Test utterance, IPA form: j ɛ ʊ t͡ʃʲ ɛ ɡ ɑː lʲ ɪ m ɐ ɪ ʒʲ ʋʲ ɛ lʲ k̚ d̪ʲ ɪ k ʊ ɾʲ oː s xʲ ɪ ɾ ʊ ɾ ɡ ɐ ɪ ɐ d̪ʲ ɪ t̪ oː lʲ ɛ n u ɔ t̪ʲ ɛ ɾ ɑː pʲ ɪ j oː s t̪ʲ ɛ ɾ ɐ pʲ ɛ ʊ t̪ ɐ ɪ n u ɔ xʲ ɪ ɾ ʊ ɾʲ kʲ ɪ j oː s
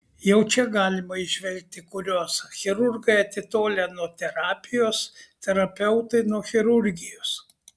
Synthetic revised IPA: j ɛ ʊ t͡ʃʲ ɛ ɡ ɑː lʲ ɪ m ɐ ɪ ʒʲ ʋʲ ɛ lʲ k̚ t̪ʲ ɪ k ʊ ɾʲ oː s xʲ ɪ ɾ ʊ ɾ ɡ ɐ ɪ ɐ t̪ʲ ɪ t̪ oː lʲ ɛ n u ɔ t̪ʲ ɛ ɾ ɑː pʲ ɪ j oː s t̪ʲ ɛ ɾ ɐ pʲ ɛ ʊ t̪ ɐ ɪ n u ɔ xʲ ɪ ɾ ʊ ɾʲ ɡʲ ɪ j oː s